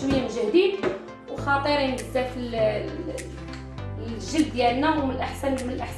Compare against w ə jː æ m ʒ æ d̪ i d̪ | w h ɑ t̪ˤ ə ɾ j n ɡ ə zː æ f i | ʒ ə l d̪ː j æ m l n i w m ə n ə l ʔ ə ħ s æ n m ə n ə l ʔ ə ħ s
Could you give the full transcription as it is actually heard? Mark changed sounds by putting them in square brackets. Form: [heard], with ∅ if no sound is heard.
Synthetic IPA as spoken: w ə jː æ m ʒ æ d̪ i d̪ | w [x] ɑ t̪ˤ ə ɾ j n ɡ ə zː æ f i | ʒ ə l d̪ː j æ [∅] l n [æ] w m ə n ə l ʔ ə ħ s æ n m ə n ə l ʔ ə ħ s